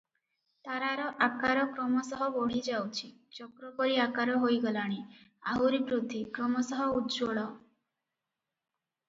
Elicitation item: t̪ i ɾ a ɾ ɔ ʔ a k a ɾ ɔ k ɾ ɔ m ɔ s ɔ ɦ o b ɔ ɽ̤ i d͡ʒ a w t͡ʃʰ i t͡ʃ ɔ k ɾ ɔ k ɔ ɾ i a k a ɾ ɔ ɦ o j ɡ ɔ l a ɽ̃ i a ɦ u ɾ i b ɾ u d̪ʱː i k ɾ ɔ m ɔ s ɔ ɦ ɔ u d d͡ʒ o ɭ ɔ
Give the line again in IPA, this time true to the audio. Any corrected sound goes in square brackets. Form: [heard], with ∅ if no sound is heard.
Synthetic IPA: t̪ [a] ɾ a ɾ ɔ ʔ a k a ɾ ɔ k ɾ ɔ m ɔ s ɔ ɦ [ɔ] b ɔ ɽ̤ i d͡ʒ a w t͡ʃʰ i t͡ʃ ɔ k ɾ ɔ k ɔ ɾ i a k a ɾ ɔ ɦ o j ɡ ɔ l a ɽ̃ i a ɦ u ɾ i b ɾ u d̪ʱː i k ɾ ɔ m ɔ s ɔ ɦ ɔ u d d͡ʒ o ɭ ɔ